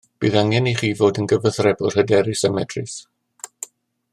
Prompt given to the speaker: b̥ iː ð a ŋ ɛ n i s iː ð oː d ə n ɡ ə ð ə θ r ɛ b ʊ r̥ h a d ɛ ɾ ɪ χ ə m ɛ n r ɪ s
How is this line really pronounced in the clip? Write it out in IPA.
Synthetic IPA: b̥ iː ð a ŋ ɛ n i χ iː v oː d ə n ɡ ə v ə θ r ɛ b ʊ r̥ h ə d ɛ ɾ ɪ s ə m ɛ d r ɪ s